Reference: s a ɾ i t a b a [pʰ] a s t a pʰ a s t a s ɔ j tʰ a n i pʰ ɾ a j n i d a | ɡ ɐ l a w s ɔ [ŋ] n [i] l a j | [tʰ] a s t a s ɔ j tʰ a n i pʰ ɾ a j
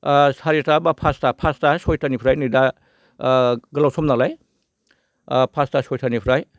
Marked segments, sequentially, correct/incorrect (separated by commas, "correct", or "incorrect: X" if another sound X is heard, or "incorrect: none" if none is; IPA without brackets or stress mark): correct, incorrect: m, incorrect: a, incorrect: pʰ